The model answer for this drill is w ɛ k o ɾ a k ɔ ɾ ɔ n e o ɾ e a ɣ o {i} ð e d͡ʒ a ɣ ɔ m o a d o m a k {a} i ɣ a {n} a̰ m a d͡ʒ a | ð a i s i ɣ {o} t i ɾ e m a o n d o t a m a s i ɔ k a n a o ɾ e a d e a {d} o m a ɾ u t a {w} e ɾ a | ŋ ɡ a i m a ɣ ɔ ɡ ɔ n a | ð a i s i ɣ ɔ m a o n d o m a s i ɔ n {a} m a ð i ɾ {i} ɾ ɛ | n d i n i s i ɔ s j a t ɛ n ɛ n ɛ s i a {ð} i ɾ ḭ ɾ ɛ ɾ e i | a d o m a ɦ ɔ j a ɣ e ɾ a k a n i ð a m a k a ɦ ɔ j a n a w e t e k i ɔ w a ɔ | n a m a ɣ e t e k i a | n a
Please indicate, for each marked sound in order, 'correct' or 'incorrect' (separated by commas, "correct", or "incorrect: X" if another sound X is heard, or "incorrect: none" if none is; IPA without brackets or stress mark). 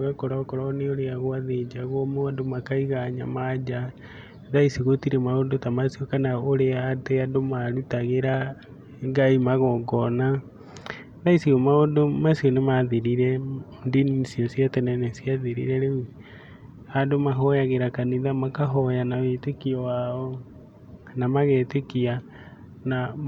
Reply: incorrect: a, correct, incorrect: ɲ, correct, correct, incorrect: ɣ, incorrect: e, correct, correct